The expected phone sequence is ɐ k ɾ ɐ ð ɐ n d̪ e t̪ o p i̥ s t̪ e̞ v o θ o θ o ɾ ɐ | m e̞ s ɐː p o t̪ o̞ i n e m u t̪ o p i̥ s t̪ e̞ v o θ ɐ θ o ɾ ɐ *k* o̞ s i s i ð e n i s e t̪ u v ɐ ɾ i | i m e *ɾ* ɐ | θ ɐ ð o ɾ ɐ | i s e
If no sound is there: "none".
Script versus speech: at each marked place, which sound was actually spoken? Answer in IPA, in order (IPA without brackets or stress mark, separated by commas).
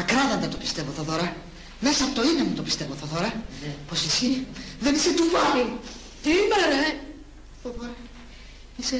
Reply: p, ɾ